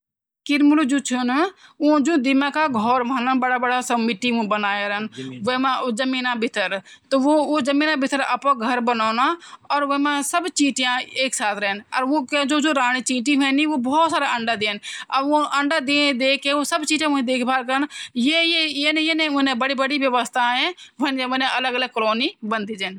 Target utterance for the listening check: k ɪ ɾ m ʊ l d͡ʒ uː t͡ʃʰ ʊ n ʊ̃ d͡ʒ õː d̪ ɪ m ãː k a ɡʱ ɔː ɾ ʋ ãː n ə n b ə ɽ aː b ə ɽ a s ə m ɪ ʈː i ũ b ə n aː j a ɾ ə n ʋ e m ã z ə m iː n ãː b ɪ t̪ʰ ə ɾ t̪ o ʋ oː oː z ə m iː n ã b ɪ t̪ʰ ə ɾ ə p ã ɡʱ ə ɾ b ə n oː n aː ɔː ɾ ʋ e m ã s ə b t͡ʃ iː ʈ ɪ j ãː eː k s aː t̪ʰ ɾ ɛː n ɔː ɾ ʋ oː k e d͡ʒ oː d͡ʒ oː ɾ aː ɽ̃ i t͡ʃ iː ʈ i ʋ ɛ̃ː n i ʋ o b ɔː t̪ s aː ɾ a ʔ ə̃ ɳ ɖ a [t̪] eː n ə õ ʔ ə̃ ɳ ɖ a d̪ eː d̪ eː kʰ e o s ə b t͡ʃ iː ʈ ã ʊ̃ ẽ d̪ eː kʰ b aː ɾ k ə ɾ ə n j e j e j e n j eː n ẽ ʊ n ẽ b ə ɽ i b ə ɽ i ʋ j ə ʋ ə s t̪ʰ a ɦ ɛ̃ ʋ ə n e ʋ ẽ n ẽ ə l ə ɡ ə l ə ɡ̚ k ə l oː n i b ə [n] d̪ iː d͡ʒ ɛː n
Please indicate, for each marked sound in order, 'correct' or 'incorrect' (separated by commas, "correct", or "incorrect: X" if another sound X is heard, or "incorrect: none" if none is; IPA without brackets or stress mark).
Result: incorrect: d̪, correct